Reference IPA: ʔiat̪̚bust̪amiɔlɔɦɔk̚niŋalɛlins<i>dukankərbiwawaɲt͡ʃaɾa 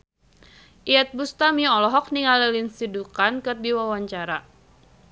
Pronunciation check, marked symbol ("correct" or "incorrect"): correct